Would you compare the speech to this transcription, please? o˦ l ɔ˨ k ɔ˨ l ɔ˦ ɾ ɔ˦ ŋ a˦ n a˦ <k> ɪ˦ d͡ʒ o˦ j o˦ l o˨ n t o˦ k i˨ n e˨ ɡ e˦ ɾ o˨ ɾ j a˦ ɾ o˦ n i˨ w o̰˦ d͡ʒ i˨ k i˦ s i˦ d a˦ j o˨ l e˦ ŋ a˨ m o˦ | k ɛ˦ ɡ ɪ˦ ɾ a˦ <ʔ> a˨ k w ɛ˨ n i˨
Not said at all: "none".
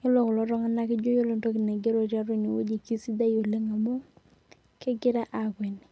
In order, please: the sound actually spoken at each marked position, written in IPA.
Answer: k, ʔ

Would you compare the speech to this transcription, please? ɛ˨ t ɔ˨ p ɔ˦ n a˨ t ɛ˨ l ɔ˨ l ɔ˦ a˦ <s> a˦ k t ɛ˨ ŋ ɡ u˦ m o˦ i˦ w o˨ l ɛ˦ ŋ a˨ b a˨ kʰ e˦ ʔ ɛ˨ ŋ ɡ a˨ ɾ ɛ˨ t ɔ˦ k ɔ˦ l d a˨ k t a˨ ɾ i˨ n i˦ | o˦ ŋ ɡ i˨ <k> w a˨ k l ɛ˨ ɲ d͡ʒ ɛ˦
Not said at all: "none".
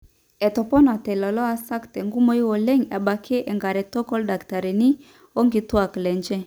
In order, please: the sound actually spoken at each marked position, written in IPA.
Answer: s, t

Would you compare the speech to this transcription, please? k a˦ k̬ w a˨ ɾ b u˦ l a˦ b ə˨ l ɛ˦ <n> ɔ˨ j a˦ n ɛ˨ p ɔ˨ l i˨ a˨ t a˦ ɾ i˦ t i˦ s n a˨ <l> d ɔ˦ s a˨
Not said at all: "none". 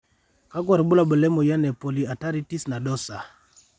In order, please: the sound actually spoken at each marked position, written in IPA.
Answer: m, none

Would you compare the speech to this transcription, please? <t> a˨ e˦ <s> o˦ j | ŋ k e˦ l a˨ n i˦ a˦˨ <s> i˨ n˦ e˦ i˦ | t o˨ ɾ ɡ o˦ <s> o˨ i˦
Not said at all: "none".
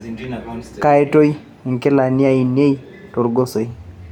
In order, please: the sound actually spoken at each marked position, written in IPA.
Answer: k, t, none, s

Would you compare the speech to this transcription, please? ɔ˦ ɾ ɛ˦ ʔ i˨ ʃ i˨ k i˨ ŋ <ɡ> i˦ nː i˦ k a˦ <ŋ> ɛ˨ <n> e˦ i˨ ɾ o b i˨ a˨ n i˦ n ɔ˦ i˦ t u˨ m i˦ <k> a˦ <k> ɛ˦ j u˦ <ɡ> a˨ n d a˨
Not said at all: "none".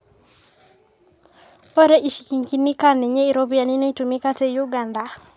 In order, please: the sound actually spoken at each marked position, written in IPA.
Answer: k, n, ɲ, k, t, ɡ

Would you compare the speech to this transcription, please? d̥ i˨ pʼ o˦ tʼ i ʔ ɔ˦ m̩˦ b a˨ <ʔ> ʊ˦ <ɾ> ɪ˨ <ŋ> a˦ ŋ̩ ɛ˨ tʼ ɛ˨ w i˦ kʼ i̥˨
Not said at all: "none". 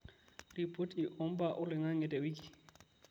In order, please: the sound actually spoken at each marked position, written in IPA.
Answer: ʔ, l, ŋ

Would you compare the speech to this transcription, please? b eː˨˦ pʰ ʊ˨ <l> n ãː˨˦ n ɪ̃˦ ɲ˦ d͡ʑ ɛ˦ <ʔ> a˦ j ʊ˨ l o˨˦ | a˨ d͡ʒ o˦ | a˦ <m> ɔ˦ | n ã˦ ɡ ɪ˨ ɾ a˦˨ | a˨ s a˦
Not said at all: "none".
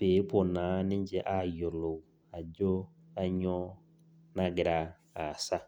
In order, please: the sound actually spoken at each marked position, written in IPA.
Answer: none, ʔ, ɲ

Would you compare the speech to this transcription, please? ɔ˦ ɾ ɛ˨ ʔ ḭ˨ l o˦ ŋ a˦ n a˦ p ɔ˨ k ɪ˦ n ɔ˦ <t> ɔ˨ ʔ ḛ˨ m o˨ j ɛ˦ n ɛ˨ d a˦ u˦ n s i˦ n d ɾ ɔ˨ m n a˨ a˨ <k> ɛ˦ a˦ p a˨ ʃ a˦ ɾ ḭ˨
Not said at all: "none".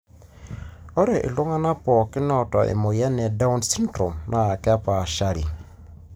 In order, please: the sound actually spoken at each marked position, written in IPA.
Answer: t, k

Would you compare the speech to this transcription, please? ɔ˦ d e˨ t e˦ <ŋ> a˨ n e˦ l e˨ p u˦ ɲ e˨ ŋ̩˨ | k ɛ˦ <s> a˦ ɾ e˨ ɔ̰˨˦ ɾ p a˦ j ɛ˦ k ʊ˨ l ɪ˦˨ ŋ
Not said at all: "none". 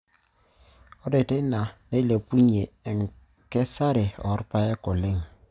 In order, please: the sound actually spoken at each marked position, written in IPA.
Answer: n, s

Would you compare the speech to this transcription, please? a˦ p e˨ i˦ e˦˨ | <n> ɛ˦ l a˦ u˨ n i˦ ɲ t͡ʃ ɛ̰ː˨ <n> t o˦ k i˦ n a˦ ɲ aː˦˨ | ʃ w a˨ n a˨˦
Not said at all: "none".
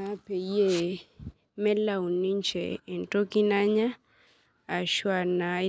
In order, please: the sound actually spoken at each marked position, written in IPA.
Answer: m, n

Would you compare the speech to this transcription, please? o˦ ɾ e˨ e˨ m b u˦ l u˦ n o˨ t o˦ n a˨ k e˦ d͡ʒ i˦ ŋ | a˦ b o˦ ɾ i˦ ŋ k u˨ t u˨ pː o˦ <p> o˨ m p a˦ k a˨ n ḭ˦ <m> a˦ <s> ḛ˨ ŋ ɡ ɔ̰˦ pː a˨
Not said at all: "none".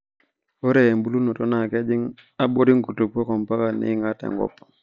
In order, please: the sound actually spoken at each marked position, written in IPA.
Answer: k, ŋ, t

